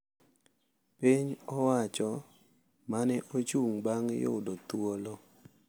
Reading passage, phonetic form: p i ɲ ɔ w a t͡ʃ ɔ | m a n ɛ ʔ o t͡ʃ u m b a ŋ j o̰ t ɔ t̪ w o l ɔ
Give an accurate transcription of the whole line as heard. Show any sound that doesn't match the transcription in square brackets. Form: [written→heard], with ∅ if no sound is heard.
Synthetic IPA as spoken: p i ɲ ɔ w a t͡ʃ ɔ | m a n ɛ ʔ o t͡ʃ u [m→ŋ] b a ŋ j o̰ [t→d] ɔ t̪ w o l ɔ